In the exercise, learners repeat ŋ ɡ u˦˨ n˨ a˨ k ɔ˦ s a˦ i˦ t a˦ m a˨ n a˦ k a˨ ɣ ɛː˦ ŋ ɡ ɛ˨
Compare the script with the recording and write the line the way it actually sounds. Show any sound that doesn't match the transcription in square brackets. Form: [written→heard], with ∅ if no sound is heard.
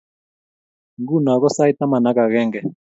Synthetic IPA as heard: ŋ ɡ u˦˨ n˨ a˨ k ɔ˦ s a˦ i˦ t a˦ m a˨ n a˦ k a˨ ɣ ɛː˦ ŋ ɡ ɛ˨